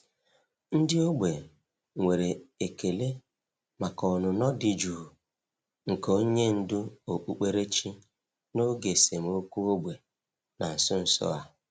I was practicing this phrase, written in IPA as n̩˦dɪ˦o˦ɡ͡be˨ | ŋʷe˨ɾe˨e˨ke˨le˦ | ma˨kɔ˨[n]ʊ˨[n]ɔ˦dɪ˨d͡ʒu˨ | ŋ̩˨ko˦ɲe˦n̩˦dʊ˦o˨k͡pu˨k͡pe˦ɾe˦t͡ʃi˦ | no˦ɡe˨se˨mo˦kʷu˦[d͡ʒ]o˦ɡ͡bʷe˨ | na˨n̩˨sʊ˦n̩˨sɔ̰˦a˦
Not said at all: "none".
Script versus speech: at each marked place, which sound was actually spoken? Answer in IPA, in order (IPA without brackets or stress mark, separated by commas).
n, n, none